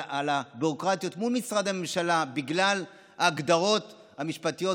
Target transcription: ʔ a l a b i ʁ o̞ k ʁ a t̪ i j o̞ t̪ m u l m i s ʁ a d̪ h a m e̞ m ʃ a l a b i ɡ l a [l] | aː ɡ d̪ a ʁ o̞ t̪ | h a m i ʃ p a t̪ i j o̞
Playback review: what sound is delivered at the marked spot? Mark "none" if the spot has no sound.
l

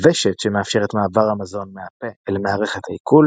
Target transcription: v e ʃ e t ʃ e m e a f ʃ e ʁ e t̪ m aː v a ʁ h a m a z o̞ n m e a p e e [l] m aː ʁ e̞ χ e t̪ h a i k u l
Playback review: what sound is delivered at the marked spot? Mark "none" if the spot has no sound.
l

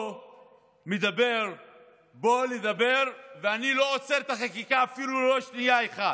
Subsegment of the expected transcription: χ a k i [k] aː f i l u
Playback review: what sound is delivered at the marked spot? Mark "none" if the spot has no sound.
k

